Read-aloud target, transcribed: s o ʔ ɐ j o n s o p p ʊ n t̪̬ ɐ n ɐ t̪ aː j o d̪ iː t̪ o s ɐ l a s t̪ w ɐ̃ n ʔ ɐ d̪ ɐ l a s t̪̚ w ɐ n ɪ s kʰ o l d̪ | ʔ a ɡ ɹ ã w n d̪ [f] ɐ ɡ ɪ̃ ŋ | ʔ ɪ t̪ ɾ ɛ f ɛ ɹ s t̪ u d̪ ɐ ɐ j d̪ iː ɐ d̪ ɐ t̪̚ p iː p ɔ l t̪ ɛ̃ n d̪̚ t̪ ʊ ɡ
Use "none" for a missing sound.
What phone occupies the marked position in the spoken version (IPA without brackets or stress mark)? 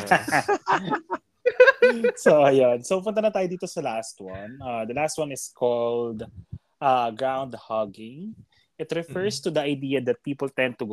h